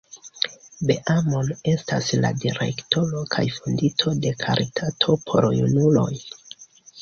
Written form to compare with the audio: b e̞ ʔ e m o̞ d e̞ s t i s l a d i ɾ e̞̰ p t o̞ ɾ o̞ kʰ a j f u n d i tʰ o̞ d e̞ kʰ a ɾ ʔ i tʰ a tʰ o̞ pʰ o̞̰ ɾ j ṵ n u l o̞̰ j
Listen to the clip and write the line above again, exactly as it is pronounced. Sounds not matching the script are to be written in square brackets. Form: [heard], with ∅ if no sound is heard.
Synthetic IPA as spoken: b e̞ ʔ [a] m o̞ [n] e̞ s t [a] s l a d i ɾ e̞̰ [k] t o̞ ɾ o̞ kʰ a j f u n d i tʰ o̞ d e̞ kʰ a ɾ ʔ i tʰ a tʰ o̞ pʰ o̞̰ ɾ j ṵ n u l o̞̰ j